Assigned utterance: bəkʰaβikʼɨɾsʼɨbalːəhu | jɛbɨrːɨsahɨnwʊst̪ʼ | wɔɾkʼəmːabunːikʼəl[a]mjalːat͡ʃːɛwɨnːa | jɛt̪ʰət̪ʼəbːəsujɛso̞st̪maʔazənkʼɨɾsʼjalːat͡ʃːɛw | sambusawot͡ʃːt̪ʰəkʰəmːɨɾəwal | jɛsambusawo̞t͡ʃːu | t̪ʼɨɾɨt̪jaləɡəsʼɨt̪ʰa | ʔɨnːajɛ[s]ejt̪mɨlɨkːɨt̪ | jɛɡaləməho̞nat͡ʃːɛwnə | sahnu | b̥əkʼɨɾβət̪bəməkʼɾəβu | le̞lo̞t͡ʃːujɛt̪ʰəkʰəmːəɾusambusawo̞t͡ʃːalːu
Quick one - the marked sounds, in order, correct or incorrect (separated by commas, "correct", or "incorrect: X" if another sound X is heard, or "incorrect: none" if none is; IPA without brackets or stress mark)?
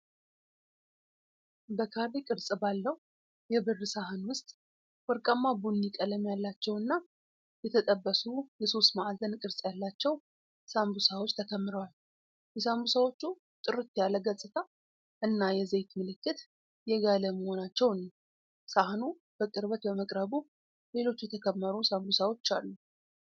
incorrect: ə, incorrect: z